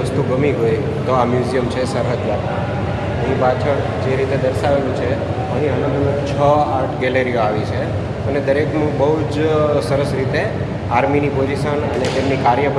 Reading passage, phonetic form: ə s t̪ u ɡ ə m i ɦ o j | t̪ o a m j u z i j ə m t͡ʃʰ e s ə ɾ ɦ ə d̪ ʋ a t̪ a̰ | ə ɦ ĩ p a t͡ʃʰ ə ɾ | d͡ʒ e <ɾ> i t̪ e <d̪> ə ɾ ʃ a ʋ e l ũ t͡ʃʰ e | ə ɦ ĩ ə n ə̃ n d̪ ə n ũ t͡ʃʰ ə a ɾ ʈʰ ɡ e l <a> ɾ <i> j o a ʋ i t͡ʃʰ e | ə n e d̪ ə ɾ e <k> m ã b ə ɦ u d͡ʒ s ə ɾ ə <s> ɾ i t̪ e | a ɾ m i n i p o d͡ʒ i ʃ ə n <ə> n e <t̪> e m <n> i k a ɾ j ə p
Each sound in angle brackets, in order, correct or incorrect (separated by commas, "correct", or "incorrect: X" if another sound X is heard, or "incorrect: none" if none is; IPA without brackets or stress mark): correct, correct, incorrect: e, correct, correct, correct, correct, correct, correct